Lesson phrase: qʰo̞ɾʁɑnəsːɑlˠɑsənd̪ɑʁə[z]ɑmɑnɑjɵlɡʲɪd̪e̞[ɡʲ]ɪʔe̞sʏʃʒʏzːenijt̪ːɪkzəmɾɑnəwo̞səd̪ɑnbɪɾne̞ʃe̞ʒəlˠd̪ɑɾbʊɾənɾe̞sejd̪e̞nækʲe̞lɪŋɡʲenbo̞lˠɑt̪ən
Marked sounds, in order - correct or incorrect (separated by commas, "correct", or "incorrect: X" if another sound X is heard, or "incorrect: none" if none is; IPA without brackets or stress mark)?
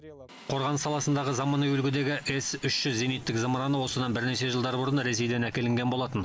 correct, correct